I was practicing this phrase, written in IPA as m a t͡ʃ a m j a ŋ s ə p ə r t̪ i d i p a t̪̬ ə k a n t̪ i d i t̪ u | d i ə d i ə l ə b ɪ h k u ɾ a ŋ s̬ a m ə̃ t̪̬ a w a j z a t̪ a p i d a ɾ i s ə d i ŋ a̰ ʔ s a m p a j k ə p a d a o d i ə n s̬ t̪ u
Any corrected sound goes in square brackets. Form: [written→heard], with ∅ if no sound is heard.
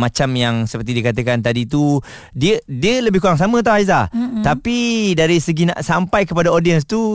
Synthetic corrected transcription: m a t͡ʃ a m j a ŋ s ə p ə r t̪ i d i [p→k] a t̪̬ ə k a n t̪ [i→a] d i t̪ u | d i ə d i ə l ə b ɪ h k u ɾ a ŋ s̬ a m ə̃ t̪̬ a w a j z a t̪ a p i d a ɾ i s ə [d→ɡ] i [ŋ→n] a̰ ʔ s a m p a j k ə p a d a o d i ə n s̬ t̪ u